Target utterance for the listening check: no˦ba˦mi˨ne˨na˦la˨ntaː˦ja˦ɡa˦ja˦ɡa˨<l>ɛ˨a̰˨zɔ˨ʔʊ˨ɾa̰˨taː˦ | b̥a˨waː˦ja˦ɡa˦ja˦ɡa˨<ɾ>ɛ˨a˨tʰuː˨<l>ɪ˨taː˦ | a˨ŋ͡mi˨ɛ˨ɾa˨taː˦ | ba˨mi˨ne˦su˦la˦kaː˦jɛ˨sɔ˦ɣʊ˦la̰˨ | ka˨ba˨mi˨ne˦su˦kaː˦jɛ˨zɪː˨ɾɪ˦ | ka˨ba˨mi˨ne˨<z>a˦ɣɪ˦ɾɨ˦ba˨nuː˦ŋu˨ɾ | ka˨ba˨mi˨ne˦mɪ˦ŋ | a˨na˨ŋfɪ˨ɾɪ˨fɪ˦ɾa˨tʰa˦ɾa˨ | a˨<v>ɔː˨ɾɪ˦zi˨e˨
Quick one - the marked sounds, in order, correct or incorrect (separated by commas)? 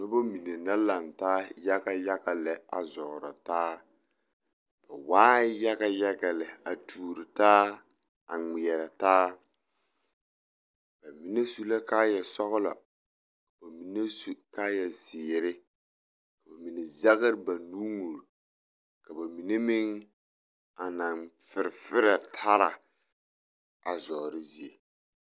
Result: correct, incorrect, incorrect, correct, incorrect